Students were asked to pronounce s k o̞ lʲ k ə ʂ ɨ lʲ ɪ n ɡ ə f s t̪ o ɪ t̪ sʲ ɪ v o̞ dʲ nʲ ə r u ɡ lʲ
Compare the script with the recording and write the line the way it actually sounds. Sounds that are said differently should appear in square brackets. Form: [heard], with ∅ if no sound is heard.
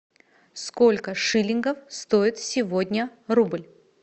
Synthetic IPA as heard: s k o̞ lʲ k ə ʂ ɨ lʲ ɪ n ɡ ə f s t̪ o ɪ t̪ sʲ ɪ v o̞ dʲ nʲ ə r u [b] lʲ